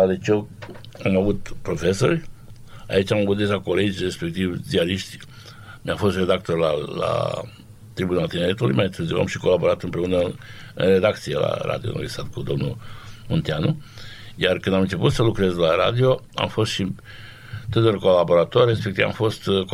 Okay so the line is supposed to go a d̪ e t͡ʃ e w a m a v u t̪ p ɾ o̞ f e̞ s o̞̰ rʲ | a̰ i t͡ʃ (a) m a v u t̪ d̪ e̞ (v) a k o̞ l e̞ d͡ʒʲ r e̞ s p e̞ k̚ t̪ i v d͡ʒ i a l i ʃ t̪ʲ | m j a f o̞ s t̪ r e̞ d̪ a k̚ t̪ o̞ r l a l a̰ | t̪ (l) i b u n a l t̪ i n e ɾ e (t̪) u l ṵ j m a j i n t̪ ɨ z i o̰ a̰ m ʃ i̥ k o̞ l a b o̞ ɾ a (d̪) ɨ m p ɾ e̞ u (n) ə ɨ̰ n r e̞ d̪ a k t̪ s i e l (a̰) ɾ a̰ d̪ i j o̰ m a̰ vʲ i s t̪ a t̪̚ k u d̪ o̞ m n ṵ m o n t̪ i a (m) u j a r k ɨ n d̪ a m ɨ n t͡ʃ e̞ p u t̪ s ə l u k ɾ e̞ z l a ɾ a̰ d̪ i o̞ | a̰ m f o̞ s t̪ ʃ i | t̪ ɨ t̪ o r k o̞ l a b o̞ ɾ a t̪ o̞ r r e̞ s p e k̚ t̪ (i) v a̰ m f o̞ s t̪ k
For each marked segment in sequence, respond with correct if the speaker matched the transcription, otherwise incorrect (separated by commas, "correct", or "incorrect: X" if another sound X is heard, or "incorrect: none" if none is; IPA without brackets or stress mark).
correct, incorrect: ʒ, incorrect: ɾ, correct, incorrect: t̪, correct, correct, incorrect: n, correct